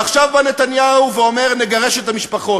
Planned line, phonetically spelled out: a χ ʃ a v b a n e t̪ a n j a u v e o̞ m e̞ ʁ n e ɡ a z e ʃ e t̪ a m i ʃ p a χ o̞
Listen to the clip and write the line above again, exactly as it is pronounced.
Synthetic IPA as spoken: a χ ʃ a v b a n e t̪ a n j a u v e o̞ m e̞ ʁ n e ɡ a ʁ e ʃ e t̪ a m i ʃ p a χ o̞

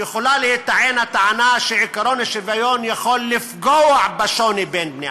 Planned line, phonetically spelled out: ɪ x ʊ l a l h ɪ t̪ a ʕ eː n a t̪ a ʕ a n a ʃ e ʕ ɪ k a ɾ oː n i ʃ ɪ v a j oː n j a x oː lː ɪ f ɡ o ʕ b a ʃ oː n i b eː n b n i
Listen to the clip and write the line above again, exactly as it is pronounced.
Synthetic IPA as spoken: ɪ x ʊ l a l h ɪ t̪ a ʕ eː n a t̪ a ʕ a n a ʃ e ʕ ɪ k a ɾ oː n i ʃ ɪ v a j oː n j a x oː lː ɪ f ɡ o ʕ b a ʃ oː n i b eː n b n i

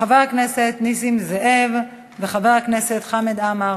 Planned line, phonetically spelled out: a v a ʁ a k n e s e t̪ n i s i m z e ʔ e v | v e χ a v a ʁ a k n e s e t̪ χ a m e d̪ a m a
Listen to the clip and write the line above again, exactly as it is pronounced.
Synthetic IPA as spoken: a v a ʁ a k n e s e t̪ n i s i m z e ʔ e v | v e χ a v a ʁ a k n e s e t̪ χ a m e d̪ a m a

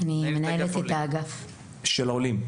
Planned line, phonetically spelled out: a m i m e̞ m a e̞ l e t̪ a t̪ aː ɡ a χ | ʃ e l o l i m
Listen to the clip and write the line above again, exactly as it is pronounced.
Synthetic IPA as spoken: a n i m e̞ n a e̞ l e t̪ e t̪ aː ɡ a f | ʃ e l o l i m

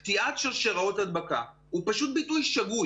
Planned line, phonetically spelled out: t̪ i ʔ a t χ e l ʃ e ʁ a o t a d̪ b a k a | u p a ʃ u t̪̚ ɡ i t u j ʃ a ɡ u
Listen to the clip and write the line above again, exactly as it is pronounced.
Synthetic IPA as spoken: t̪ i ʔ a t ʃ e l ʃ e ʁ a o t a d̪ b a k a | u p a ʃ u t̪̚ b i t u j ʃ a ɡ u

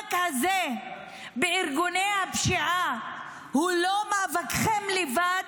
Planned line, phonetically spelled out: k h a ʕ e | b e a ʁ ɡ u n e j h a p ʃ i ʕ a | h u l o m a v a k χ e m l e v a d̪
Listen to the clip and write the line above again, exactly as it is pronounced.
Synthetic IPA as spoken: k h a z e | b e i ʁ ɡ u n e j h a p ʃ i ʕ a | h u l o m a v a k χ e m l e v a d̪

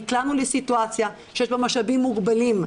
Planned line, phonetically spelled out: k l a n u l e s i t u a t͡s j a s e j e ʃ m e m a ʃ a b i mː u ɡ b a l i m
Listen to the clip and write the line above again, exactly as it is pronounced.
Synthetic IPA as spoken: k l a n u l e s i t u a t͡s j a ʃ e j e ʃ b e m a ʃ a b i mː u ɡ b a l i m

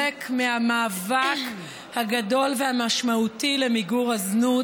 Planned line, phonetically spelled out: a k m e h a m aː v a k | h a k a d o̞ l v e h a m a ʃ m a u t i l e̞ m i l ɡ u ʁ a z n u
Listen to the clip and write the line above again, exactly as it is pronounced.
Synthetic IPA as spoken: e k m e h a m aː v a k | h a ɡ a d o̞ l v e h a m a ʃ m a u t i l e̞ m i ɡ u ʁ a z n u

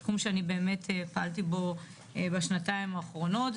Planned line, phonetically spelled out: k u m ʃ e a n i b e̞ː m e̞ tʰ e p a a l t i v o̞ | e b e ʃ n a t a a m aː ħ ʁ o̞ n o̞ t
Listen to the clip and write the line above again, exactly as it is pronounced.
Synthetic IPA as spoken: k u m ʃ e a n i b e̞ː m e̞ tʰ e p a a l t i b o̞ | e b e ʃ n a t a i m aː χ ʁ o̞ n o̞ t

